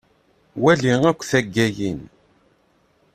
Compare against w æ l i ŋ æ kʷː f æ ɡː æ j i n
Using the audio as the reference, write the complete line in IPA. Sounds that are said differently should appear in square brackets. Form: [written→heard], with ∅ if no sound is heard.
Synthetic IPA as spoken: w æ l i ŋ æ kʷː [f→θ] æ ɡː æ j i n